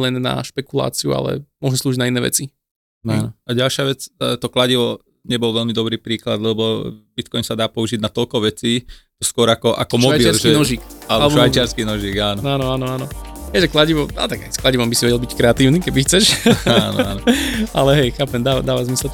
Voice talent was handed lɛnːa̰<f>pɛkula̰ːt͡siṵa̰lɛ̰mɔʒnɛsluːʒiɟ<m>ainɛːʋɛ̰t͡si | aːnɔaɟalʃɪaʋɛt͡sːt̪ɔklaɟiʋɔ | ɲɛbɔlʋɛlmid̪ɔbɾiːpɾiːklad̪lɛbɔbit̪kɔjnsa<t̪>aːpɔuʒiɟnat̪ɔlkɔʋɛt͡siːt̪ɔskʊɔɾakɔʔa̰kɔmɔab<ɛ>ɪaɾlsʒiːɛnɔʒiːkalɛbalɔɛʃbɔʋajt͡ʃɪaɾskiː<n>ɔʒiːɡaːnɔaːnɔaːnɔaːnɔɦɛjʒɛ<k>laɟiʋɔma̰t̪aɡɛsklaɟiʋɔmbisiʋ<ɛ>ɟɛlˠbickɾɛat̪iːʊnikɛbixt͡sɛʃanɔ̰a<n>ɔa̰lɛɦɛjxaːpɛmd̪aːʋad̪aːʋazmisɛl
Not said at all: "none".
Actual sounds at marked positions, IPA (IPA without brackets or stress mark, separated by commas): ʃ, n, d̪, i, n, k, ɛ, n